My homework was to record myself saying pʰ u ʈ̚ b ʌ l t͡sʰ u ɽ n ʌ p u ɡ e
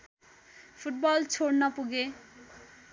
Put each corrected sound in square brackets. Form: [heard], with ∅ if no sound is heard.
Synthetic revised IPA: pʰ u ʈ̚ b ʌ l t͡sʰ [o] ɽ n ʌ p u ɡ e

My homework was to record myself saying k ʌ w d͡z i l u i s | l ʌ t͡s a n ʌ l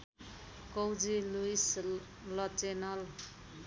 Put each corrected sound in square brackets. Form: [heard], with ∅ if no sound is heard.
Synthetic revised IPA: k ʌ w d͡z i l u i s | l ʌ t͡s [e] n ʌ l

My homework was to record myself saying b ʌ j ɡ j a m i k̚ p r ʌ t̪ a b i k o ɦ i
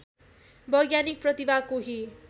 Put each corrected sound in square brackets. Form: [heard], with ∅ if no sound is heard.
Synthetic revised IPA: b ʌ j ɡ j a [n] i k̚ p r ʌ t̪ [i] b [a] k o ɦ i

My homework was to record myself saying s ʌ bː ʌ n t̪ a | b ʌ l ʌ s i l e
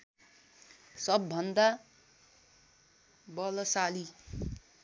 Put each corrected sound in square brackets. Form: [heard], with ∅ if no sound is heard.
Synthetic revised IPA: s ʌ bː ʌ n [d̪] a | b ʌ l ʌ s [a] l [i]

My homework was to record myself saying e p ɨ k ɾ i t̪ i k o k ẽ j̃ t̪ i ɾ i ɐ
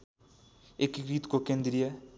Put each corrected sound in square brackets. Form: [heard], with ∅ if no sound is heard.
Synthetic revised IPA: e [k] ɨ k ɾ i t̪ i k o k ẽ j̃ [d̪] i ɾ i ɐ

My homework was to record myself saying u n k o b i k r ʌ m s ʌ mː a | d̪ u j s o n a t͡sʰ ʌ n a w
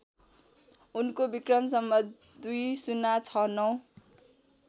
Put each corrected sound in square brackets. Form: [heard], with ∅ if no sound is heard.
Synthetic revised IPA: u n k o b i k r ʌ m s ʌ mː [ʌ] | d̪ u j s [u] n a t͡sʰ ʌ n [ʌ] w

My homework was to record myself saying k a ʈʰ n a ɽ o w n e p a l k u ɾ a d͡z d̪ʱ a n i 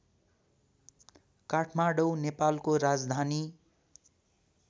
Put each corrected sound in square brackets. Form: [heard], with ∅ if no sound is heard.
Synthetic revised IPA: k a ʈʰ [m] a ɽ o w n e p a l k [o] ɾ a d͡z d̪ʱ a n i

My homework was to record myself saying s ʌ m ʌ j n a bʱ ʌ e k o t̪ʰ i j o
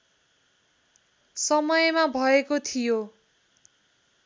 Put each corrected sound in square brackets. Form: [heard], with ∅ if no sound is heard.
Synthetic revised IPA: s ʌ m ʌ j [m] a bʱ ʌ e k o t̪ʰ i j o

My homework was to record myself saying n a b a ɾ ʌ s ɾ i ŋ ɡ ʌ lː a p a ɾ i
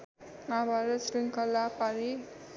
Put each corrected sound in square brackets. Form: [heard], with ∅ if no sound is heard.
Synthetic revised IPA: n a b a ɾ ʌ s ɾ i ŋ [k] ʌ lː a p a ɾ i

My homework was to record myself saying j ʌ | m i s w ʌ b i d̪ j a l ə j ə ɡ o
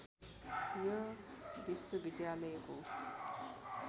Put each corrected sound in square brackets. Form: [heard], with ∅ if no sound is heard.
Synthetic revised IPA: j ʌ | [b] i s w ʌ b i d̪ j a l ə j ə [k] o

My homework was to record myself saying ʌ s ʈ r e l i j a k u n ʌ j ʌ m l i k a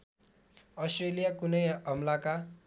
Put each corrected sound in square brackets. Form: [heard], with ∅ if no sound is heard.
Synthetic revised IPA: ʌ s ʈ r e l i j a k u n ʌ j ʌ m l [a] k a

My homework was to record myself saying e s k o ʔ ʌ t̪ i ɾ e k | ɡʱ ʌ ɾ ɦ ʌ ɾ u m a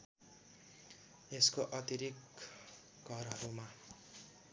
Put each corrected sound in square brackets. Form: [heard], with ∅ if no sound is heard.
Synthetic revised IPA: e s k o ʔ ʌ t̪ i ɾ [i] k | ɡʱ ʌ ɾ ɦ ʌ ɾ u m a

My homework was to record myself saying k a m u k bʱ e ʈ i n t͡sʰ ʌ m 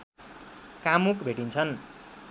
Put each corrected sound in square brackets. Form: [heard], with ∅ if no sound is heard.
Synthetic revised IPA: k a m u k bʱ e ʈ i n t͡sʰ ʌ [n]

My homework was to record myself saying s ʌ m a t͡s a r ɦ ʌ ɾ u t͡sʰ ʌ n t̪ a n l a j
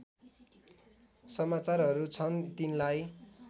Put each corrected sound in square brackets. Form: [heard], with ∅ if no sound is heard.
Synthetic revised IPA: s ʌ m a t͡s a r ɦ ʌ ɾ u t͡sʰ ʌ n t̪ [i] n l a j

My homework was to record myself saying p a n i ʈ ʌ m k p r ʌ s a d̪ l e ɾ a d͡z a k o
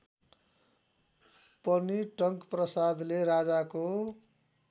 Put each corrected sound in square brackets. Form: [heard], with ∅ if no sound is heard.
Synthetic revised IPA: p [ʌ] n i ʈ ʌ [ŋ] k p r ʌ s a d̪ l e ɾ a d͡z a k o

